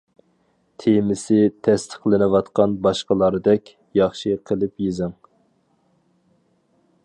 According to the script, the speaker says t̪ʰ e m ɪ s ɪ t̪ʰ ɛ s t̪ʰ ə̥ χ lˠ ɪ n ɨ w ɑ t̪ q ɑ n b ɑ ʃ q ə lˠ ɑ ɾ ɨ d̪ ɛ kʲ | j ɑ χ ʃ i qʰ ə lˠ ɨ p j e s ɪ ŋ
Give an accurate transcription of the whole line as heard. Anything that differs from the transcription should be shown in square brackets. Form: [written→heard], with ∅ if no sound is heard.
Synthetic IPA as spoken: t̪ʰ e m ɪ s ɪ t̪ʰ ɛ s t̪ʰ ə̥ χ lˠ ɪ n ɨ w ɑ t̪ q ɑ n b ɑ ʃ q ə lˠ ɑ ɾ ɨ d̪ ɛ kʲ | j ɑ χ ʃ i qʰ ə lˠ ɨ p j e [s→z] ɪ ŋ